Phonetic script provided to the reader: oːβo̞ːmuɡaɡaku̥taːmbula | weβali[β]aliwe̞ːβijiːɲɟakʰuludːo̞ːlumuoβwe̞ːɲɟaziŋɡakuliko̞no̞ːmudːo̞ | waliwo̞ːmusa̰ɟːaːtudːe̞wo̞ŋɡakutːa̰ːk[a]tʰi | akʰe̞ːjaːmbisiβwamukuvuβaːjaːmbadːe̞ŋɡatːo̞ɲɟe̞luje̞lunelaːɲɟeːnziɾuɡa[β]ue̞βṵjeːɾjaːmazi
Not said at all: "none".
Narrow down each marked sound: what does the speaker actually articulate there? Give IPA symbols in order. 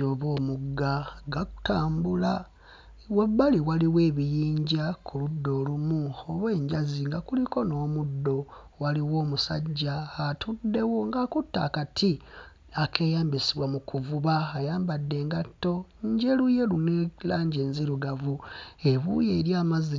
w, a, v

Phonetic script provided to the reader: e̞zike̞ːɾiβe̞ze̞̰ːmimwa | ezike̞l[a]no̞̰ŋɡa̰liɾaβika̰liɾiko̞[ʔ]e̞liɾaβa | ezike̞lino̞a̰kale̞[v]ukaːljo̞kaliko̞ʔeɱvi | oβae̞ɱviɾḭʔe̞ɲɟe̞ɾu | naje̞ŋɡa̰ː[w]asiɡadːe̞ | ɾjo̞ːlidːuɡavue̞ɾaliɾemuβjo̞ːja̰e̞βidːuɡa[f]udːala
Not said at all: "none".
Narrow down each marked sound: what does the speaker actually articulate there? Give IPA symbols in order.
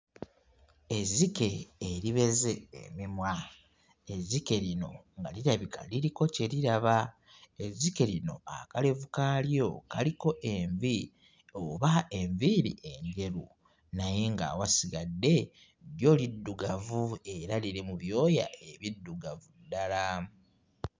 i, c, v, w, v

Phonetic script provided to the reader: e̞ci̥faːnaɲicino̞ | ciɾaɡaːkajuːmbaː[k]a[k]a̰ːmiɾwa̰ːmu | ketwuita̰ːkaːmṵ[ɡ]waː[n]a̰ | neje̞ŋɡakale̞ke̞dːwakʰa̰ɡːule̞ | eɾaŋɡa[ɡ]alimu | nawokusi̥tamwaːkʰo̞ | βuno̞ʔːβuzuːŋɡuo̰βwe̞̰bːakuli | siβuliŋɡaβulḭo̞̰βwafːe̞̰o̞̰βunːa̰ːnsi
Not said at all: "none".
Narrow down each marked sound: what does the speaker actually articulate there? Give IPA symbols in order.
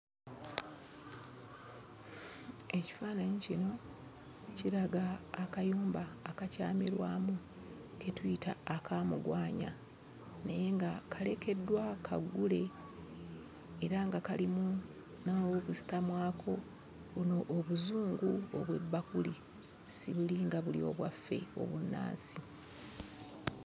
k, c, ɡ, ɲ, k

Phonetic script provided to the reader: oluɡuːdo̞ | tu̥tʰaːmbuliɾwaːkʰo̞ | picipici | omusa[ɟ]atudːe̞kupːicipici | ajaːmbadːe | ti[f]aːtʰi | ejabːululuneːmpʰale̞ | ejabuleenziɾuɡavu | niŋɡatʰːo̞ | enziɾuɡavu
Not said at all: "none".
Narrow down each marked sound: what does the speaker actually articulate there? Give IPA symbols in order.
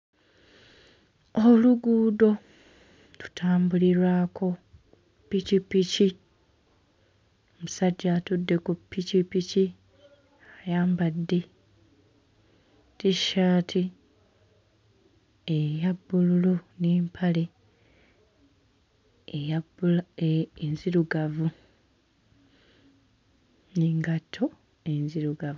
ɟː, ʃ

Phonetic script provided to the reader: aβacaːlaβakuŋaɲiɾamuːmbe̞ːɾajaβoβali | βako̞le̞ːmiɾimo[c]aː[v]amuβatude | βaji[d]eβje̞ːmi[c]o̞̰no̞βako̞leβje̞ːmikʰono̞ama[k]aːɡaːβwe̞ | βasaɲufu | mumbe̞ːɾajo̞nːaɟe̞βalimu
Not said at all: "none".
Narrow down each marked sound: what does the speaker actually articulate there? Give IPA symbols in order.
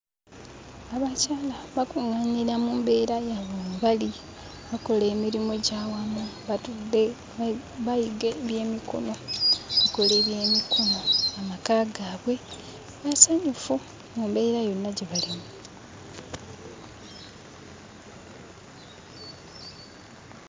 ɟ, w, ɡ, k, k

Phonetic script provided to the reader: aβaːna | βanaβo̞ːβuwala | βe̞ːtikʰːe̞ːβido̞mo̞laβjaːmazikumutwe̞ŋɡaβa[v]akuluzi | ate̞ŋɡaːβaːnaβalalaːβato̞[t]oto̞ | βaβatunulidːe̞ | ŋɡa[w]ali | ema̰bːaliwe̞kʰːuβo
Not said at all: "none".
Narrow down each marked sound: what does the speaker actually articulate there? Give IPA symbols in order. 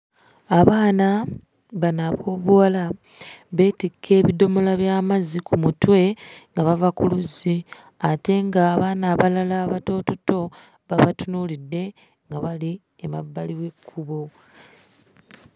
v, t, β

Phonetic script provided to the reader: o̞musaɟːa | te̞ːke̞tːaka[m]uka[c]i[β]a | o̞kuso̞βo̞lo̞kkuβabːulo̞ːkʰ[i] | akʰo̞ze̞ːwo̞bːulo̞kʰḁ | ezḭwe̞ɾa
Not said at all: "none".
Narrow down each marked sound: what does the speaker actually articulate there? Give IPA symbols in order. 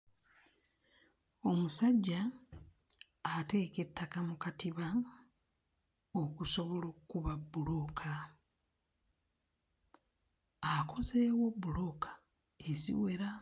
m, t, β, a

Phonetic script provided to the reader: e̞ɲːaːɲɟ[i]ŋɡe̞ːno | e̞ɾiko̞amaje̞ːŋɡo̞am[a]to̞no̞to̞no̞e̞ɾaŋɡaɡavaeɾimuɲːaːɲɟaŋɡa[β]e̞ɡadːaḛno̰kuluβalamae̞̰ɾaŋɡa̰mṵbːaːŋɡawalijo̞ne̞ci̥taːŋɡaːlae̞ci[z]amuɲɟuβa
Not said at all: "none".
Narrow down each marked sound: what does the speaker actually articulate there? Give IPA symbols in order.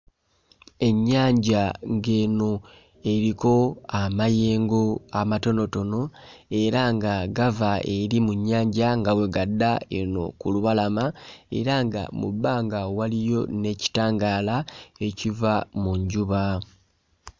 a, a, w, v

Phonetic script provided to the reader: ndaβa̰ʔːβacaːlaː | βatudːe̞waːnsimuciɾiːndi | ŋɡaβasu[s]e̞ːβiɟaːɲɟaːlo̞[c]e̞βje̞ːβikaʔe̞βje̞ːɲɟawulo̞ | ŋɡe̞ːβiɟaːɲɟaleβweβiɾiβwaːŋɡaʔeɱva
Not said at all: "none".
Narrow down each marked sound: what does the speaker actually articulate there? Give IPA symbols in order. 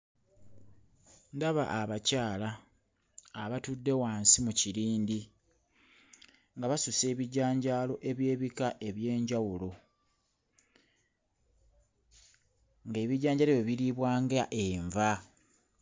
s, ʔ

